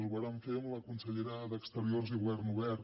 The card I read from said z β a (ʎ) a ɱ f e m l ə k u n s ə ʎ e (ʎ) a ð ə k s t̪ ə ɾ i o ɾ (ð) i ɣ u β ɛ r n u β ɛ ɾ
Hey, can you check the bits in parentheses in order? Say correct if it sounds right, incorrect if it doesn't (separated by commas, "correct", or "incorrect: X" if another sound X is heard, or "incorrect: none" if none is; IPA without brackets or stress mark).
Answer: incorrect: ɾ, incorrect: ɾ, incorrect: z